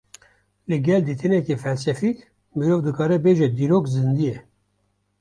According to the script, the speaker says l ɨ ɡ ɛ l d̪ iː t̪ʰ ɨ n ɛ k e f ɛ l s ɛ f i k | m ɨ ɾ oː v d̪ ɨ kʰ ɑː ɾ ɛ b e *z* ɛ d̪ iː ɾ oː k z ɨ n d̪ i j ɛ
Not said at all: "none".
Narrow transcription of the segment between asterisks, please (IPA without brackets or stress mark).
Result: ʒ